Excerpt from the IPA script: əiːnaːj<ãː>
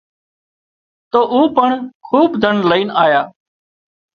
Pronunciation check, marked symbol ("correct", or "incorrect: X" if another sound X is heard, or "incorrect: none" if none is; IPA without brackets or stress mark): incorrect: aː